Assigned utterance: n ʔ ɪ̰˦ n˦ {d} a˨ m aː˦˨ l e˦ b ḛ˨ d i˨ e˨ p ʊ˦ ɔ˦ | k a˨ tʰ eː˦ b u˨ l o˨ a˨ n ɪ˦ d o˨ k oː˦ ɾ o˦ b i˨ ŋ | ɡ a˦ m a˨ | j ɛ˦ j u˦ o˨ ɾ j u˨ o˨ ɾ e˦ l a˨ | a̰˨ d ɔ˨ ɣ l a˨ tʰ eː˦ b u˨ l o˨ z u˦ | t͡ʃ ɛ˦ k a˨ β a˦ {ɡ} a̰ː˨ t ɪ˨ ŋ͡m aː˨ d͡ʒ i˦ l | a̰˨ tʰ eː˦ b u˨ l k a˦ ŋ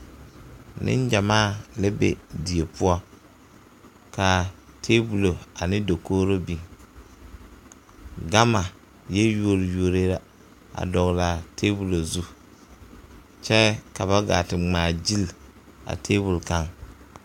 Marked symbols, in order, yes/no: no, yes

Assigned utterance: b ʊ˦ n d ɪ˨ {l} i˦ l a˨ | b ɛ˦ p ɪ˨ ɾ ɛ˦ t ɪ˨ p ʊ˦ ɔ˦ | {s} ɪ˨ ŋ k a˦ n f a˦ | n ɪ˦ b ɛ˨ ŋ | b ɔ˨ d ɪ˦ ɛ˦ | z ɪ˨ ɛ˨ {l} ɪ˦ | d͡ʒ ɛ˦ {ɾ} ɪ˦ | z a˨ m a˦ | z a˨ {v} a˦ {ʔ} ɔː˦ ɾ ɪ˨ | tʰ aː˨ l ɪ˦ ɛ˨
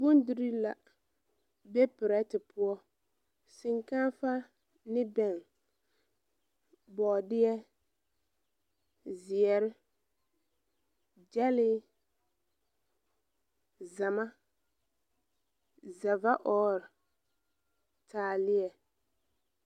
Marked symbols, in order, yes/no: no, yes, no, no, yes, yes

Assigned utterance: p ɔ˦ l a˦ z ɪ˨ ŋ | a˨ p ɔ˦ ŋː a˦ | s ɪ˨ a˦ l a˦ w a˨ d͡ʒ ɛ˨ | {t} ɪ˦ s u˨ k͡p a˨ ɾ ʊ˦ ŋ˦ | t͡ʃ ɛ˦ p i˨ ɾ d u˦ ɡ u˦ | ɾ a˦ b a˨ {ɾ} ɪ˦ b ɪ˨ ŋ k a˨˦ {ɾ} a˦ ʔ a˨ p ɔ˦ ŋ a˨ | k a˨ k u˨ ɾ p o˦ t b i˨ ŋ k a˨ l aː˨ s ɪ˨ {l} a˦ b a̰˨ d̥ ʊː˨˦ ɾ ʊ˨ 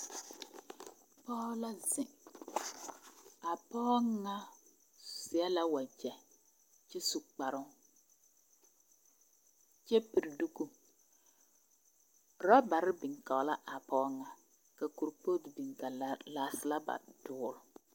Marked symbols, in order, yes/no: no, yes, no, yes

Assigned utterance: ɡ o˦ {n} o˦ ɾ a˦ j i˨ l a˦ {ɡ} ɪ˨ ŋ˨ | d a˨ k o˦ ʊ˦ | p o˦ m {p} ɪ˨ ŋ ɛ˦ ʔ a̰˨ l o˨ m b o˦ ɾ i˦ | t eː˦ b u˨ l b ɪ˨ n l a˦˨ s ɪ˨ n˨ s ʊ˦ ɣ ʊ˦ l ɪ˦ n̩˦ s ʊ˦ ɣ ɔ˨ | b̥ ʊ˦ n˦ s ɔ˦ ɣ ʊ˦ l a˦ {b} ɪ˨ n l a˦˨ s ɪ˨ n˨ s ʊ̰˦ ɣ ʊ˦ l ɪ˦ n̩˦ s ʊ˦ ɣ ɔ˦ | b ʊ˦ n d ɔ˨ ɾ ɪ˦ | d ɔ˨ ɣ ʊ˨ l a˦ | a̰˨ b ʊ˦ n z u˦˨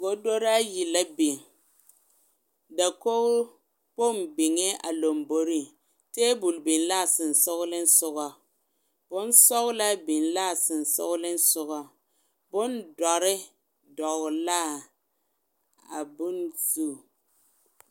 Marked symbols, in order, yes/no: no, no, no, yes

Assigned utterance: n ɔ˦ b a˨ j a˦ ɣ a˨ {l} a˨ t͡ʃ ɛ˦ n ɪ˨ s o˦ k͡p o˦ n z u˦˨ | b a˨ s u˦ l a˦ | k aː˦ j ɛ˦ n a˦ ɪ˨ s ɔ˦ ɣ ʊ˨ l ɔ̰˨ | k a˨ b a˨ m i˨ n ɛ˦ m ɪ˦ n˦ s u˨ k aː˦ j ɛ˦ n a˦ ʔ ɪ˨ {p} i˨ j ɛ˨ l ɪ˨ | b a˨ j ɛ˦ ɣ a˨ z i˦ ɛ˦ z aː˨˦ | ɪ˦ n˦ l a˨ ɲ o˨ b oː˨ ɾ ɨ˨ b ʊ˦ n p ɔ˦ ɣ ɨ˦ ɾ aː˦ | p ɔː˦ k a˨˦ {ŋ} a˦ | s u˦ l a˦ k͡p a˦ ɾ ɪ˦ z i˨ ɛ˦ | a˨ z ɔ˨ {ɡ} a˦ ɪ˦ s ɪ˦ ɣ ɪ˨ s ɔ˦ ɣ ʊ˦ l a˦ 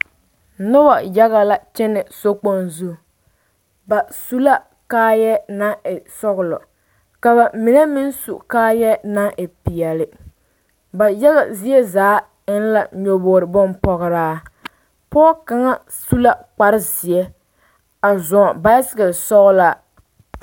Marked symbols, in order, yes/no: yes, yes, yes, no

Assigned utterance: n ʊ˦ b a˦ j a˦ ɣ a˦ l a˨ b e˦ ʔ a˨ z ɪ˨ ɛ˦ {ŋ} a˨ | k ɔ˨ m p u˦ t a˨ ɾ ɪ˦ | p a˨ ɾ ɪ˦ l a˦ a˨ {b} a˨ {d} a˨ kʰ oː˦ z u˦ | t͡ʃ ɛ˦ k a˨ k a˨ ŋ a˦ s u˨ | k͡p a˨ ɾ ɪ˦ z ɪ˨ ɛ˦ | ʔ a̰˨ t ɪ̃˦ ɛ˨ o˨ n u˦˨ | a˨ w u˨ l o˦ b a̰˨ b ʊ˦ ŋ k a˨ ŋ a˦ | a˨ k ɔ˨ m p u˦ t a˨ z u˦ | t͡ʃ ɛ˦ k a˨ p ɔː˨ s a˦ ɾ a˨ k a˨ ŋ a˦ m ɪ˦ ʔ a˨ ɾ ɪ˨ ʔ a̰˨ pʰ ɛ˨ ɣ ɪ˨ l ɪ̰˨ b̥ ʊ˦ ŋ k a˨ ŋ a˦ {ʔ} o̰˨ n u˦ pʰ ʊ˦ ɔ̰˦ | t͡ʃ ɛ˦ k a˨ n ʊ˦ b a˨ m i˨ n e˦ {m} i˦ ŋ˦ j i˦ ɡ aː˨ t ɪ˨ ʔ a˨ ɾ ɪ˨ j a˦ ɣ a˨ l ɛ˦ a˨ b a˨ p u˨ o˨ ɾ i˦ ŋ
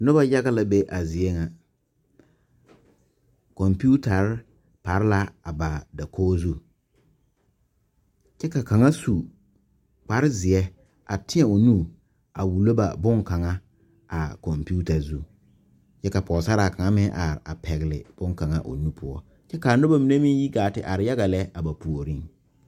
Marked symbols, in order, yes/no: yes, yes, yes, yes, yes

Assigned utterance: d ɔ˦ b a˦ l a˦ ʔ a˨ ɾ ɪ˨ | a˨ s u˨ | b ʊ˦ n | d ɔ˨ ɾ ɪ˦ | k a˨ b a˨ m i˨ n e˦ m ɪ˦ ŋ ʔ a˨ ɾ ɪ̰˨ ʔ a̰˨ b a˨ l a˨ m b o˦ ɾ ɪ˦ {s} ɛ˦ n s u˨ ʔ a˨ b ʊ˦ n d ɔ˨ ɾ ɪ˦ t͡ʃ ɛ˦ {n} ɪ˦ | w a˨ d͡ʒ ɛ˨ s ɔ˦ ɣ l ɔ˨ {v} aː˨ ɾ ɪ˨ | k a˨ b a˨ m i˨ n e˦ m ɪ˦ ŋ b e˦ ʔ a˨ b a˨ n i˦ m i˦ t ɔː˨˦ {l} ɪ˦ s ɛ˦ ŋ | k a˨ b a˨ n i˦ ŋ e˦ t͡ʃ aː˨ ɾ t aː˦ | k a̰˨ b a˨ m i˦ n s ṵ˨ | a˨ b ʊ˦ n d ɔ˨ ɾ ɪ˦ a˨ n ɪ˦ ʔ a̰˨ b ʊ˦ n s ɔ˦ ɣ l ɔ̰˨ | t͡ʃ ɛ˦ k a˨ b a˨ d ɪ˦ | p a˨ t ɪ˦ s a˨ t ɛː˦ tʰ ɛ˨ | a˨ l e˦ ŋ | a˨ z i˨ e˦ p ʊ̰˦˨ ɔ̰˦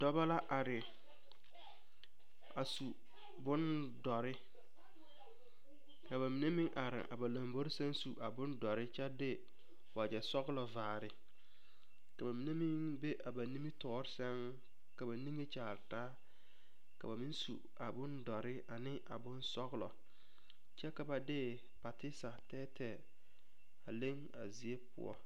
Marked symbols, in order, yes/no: yes, no, yes, no

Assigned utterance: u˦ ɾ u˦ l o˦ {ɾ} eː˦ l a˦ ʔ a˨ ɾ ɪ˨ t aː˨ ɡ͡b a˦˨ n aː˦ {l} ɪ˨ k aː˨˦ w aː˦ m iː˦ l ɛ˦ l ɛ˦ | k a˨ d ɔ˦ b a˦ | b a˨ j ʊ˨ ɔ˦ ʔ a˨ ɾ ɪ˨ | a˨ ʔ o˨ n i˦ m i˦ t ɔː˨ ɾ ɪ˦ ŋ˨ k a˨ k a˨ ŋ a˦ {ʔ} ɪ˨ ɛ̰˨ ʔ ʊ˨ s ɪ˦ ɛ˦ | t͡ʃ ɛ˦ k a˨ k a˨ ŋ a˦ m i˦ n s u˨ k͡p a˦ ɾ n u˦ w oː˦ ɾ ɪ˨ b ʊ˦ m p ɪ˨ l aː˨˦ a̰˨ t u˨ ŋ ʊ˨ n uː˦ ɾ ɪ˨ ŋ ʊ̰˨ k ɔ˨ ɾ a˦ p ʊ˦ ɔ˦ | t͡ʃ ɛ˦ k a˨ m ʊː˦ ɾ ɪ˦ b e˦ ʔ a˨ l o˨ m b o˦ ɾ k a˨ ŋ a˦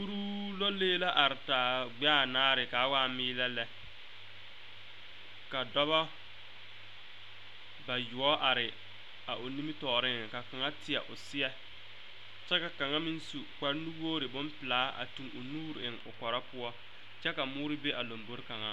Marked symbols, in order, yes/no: no, no, no

